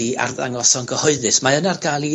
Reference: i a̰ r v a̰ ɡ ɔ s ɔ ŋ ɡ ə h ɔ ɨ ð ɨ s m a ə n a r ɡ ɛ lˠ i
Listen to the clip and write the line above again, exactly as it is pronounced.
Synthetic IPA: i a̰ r ð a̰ ŋ ɔ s ɔ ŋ ɡ ə h ɔ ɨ ð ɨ s m a ə n a r ɡ a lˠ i

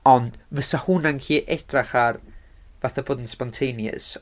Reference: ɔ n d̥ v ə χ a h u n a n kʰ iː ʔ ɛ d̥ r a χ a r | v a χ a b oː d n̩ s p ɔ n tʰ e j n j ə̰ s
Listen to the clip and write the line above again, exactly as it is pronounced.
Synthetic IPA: ɔ n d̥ v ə s a h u n a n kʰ iː ʔ ɛ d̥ r a χ a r | v a θ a b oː d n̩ s p ɔ n tʰ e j n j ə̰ s

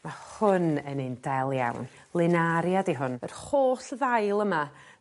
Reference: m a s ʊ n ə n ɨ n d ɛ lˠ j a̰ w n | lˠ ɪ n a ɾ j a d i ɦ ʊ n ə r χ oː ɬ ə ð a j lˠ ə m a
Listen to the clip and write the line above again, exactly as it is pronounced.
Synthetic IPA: m a h ʊ n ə n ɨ n d ɛ lˠ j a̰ w n | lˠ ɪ n a ɾ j a d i ɦ ʊ n ə r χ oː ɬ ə ð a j lˠ ə m a

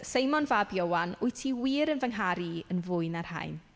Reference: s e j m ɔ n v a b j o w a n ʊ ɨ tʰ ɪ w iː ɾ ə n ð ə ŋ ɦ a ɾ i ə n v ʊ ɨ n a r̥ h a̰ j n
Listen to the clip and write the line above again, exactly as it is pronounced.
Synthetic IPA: s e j m ɔ n v a b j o w a n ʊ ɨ tʰ i w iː ɾ ə n v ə ŋ ɦ a ɾ i ə n v ʊ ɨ n a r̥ h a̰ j n

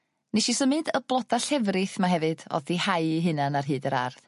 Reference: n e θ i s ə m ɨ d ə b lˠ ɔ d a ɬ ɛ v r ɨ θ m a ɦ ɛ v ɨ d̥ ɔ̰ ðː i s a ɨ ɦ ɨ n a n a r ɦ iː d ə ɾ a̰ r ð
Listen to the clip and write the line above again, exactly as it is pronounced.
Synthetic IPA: n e ʃ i s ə m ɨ d ə b lˠ ɔ d a ɬ ɛ v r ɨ θ m a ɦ ɛ v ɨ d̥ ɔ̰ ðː i h a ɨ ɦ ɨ n a n a r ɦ ɨː d ə ɾ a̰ r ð

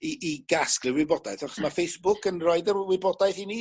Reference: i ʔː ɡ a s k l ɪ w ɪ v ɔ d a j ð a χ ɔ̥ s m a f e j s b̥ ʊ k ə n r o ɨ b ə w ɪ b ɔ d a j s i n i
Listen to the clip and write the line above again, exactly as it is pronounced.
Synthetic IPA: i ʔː ɡ a s k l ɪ w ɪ b ɔ d a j θ a χ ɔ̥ s m a f e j s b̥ ʊ k ə n r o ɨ d ə w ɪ b ɔ d a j θ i n i

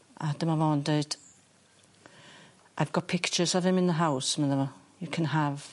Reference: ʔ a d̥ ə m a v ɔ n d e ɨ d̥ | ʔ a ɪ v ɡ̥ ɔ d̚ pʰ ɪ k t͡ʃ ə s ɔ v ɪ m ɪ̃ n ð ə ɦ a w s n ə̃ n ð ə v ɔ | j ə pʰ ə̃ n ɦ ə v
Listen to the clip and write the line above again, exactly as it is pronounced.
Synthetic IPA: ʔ a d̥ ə m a v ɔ n d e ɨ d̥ | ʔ a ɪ v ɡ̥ ɔ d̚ pʰ ɪ k t͡ʃ ə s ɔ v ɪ m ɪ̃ n ð ə ɦ a w s m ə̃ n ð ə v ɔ | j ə kʰ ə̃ n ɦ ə v

